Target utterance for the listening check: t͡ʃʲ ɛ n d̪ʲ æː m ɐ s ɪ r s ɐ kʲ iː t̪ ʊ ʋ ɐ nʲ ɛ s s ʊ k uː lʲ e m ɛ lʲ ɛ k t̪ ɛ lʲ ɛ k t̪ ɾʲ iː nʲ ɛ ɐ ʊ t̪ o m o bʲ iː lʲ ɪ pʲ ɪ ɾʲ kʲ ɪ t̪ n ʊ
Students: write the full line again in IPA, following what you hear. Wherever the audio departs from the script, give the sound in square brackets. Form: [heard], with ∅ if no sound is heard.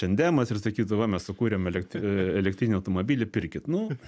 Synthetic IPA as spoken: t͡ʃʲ ɛ n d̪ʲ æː m ɐ s ɪ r s ɐ kʲ iː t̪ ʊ ʋ ɐ [mʲ] ɛ s s ʊ k uː [ɾʲ] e m ɛ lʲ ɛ k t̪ ɛ lʲ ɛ k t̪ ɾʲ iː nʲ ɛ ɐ ʊ t̪ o m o bʲ iː lʲ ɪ pʲ ɪ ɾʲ kʲ ɪ t̪ n ʊ